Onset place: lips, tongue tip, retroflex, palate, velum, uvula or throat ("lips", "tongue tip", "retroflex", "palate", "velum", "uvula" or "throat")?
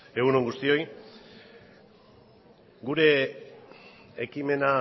velum